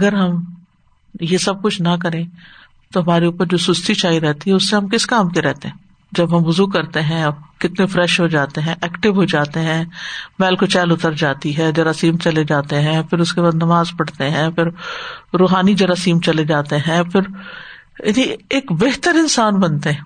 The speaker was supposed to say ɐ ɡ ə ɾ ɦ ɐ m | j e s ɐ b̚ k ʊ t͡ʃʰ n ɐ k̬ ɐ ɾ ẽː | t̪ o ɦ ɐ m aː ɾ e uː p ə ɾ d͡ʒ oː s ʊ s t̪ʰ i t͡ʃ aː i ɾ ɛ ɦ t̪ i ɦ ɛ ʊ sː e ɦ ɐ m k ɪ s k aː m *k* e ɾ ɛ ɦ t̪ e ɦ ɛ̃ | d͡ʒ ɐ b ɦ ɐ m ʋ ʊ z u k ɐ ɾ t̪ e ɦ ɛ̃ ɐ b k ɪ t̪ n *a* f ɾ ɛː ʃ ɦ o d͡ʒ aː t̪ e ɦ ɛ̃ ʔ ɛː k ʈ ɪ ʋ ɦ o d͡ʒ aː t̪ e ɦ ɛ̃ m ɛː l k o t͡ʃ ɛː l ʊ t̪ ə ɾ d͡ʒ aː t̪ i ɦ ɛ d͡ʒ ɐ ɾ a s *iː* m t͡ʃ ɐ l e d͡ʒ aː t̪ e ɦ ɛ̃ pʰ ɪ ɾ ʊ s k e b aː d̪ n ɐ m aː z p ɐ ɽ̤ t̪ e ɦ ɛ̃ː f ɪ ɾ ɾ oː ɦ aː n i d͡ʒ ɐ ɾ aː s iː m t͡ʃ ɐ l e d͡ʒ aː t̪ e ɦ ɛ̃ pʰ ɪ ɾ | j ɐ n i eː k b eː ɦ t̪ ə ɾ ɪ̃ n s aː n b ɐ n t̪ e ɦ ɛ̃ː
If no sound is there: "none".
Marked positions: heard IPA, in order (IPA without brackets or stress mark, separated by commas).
k, e, iː